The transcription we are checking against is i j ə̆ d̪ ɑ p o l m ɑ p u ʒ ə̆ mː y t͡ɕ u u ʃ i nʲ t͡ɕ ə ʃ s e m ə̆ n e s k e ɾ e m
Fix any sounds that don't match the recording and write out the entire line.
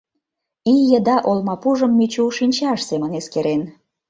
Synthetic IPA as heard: i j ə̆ d̪ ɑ ʔ o l m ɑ p u ʒ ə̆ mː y t͡ɕ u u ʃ i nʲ t͡ɕ ɑ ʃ s e m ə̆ n e s k e ɾ e n

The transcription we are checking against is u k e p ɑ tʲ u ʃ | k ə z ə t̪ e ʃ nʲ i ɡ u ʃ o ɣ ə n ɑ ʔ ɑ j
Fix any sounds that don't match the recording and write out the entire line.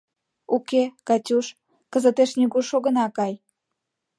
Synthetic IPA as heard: u k e k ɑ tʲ u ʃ | k ə z ə t̪ e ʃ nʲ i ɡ u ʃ o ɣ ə n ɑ k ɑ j

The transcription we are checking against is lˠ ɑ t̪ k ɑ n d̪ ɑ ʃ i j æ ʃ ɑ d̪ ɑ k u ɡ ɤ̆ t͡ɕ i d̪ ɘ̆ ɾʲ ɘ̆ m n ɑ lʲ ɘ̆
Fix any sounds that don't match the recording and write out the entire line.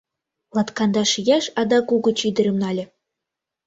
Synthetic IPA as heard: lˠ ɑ t̪ k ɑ n d̪ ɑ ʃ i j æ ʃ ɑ d̪ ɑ k u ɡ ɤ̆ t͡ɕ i d̪ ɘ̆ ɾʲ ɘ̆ m n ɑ lʲ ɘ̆

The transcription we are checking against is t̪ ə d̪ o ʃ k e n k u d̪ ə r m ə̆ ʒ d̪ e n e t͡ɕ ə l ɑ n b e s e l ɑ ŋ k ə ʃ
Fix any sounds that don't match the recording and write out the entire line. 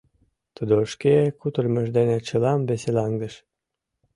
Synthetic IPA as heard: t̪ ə d̪ o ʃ k e k u t̪ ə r m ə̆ ʒ d̪ e n e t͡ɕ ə l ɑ m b e s e l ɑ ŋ ɡ ə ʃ

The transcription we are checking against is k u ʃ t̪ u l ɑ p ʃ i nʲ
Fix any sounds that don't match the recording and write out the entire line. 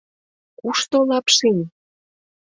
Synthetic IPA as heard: k u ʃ t̪ o l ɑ p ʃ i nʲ

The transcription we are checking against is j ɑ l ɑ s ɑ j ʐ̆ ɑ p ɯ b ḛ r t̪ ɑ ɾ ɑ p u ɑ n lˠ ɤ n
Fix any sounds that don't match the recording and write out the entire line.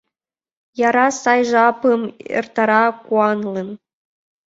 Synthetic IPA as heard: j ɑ ɾ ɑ s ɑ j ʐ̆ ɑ p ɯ m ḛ r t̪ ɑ ɾ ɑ k u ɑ n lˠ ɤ n

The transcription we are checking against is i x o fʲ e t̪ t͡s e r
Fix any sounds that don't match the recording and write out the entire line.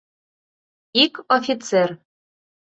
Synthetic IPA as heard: i k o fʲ i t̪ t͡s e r

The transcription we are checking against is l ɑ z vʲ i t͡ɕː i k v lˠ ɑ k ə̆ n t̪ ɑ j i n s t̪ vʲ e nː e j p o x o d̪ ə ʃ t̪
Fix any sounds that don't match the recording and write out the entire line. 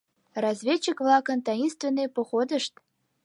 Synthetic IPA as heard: r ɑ z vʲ e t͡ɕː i k v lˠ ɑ k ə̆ n t̪ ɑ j i n s t̪ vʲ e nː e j p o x o d̪ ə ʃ t̪

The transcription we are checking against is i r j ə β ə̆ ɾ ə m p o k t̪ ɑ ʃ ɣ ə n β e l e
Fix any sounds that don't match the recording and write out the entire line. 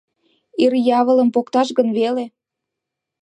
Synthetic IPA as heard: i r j ɑ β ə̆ l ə m p o k t̪ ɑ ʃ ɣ ə n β e l e

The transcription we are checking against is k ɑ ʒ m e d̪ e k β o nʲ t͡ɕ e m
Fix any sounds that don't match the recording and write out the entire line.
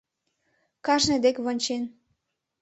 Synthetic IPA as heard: k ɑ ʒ n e d̪ e k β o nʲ t͡ɕ e n

